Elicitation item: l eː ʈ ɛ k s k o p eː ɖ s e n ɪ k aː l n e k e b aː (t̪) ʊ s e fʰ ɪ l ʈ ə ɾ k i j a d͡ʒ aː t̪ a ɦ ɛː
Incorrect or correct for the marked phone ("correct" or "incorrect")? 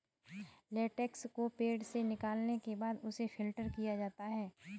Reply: incorrect